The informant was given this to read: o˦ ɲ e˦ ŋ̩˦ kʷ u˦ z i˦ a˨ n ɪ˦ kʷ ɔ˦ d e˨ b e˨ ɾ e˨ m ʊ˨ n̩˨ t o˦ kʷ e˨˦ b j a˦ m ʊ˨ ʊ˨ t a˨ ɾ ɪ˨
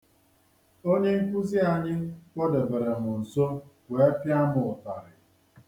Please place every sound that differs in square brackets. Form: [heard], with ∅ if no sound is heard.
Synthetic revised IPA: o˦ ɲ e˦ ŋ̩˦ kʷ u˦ z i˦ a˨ [ɲ] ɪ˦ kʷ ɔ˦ d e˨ b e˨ ɾ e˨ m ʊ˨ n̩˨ [s] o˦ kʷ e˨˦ [p] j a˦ m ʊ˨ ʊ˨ t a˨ ɾ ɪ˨